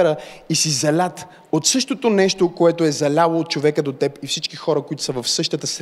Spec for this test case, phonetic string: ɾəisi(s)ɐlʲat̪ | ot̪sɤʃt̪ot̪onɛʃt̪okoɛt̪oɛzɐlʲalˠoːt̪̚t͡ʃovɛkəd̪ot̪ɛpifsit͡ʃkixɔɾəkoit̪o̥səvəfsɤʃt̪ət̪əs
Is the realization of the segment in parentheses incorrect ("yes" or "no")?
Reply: yes